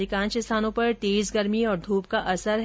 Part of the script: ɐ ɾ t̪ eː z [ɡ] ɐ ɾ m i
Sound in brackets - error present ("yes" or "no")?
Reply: no